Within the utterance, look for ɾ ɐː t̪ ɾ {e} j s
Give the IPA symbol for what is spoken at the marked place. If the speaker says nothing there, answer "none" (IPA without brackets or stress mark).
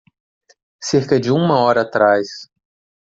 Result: a